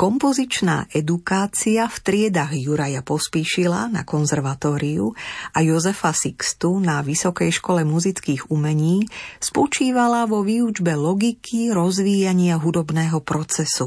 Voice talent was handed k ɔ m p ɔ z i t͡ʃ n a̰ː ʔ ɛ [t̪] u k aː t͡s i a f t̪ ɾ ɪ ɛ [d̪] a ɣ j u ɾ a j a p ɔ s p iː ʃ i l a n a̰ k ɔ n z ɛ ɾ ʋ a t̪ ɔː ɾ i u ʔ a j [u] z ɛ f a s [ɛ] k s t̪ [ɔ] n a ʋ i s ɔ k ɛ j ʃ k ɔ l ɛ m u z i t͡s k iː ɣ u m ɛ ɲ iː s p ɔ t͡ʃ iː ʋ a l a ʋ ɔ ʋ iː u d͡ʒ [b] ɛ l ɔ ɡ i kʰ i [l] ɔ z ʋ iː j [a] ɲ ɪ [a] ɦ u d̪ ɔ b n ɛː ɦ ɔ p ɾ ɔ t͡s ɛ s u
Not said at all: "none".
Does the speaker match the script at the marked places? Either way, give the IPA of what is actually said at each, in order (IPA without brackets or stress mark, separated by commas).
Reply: d̪, d̪, ɔ, i, u, b, ɾ, a, a